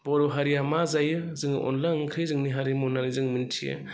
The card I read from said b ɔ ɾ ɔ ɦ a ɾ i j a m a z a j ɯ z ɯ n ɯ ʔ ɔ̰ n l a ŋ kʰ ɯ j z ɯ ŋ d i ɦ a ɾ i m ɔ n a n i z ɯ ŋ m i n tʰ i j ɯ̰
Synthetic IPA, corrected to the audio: b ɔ ɾ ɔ ɦ a ɾ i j a m a z a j ɯ z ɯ ŋ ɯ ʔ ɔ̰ n l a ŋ kʰ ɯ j z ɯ ŋ n i ɦ a ɾ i m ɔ n a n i z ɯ ŋ m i n tʰ i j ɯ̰